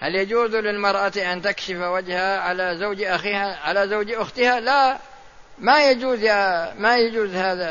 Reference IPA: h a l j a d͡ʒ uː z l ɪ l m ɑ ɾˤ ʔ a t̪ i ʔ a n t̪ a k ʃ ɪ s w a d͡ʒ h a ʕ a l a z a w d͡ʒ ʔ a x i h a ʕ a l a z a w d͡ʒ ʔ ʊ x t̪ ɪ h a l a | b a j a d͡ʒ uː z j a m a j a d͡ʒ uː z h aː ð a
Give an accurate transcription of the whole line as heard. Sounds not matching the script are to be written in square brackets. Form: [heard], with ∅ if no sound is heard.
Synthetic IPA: h a l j a d͡ʒ uː z l ɪ l m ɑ ɾˤ ʔ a t̪ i ʔ a n t̪ a k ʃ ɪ [f] w a d͡ʒ h a ʕ a l a z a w d͡ʒ ʔ a x i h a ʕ a l a z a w d͡ʒ ʔ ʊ x t̪ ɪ h a l a | [m] a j a d͡ʒ uː z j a m a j a d͡ʒ uː z h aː ð a